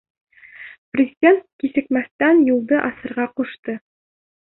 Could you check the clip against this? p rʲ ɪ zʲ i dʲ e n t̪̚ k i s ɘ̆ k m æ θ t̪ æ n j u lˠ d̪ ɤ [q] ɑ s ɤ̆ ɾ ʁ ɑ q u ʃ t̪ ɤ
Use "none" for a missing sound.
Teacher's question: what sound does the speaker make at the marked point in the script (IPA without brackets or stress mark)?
ʔ